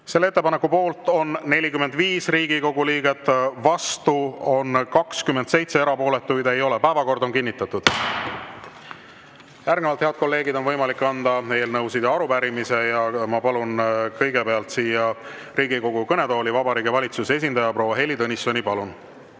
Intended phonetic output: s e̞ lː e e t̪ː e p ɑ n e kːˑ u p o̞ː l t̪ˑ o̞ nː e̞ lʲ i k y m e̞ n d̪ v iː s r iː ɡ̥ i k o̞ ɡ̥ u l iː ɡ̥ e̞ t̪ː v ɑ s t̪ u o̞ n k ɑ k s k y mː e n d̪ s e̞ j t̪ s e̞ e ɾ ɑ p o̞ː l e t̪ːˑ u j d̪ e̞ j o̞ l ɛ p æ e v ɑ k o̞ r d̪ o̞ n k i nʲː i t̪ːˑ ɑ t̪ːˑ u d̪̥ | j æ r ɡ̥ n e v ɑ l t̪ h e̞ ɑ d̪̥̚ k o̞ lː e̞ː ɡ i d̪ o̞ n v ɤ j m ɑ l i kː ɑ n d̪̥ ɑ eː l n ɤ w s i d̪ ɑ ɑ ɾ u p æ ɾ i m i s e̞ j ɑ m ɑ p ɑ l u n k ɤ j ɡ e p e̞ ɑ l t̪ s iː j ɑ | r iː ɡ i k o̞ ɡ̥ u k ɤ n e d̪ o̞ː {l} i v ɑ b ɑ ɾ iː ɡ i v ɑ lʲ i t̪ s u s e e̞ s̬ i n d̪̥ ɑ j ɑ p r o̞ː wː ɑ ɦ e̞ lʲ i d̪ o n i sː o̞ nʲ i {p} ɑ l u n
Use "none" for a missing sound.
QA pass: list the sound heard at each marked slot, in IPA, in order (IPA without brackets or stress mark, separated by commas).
l, p